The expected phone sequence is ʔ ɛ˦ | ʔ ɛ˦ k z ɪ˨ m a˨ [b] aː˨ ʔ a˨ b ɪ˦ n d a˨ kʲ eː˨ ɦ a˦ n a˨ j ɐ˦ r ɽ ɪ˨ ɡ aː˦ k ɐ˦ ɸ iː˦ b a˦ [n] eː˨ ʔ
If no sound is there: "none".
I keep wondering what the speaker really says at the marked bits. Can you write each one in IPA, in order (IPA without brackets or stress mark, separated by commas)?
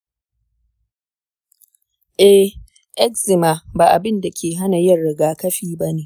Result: b, n